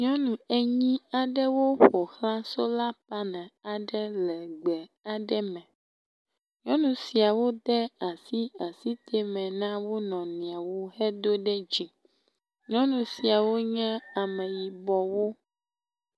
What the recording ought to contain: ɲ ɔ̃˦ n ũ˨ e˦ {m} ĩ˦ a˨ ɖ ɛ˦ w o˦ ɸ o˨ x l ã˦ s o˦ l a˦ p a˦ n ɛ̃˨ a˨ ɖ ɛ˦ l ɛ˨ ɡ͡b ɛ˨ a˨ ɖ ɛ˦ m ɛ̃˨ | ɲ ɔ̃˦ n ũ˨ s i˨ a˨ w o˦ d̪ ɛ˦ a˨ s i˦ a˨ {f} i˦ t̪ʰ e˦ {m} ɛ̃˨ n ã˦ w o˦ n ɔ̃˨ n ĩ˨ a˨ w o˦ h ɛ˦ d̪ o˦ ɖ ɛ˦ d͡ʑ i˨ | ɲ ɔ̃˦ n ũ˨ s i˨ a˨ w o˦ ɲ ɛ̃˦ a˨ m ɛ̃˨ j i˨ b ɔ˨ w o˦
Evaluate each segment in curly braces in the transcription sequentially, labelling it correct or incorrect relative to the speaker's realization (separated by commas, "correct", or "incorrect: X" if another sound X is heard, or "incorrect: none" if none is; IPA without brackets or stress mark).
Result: incorrect: ɲ, incorrect: s, correct